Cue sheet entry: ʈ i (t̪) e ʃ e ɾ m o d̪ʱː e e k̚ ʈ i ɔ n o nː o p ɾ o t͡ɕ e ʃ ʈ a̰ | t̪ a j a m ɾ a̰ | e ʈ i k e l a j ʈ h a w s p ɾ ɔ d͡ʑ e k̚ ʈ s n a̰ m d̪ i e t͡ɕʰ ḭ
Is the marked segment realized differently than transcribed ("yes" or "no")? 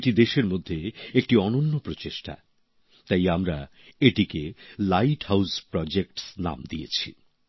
yes